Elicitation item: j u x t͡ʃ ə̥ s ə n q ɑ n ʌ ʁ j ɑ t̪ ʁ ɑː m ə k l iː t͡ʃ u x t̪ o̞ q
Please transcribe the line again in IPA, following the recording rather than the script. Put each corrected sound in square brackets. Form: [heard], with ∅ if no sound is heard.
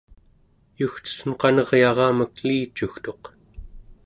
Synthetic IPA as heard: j u x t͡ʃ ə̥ s ə n q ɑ n ʌ ʁ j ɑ [∅] ʁ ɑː m ə k l iː t͡ʃ u x t̪ o̞ q